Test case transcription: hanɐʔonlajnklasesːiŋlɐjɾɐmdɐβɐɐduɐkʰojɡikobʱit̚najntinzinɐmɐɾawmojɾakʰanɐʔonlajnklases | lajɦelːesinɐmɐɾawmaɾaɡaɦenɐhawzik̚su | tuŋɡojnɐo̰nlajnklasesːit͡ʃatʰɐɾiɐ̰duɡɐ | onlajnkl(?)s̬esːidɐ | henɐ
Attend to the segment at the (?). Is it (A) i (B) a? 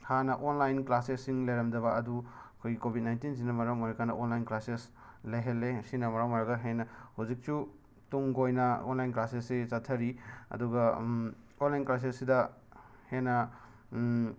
B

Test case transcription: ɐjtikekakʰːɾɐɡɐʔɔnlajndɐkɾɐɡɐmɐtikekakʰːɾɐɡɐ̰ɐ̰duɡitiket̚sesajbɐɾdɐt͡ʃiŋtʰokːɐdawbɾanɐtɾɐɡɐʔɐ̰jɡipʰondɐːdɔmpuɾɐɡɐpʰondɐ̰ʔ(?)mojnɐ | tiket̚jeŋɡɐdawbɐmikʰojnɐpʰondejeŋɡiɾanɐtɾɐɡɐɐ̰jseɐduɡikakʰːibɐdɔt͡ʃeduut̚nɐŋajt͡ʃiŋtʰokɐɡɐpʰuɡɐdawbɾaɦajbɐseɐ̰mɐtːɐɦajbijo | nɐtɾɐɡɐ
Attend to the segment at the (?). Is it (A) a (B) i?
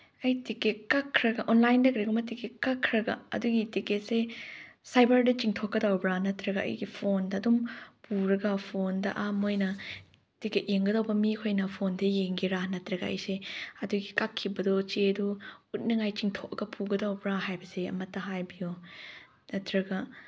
A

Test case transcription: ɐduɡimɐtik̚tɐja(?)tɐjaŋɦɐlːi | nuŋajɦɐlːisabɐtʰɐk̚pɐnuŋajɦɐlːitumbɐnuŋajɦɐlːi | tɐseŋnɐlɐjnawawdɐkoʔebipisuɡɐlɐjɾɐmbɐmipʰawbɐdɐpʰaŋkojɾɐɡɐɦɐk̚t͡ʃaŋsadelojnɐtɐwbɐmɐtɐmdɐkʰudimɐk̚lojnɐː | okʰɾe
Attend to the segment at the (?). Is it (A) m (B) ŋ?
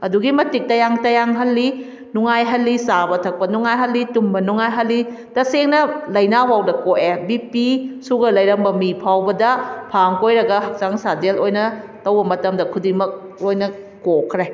B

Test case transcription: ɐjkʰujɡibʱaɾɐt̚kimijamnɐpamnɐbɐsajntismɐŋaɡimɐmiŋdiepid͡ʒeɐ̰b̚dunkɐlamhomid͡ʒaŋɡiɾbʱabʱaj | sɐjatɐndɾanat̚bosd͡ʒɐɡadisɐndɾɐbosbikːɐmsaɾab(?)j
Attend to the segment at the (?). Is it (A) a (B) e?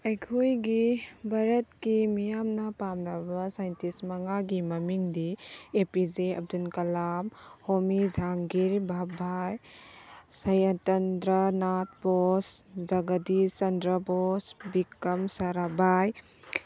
A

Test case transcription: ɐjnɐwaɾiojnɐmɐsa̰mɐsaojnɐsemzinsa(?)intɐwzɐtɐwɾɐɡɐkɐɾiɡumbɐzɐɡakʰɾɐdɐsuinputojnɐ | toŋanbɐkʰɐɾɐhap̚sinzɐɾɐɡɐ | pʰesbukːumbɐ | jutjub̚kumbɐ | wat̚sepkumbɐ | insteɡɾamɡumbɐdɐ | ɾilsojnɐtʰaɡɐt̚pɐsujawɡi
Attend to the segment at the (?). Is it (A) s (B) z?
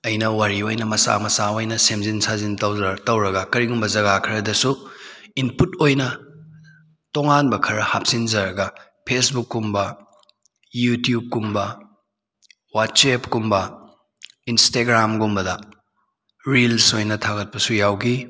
B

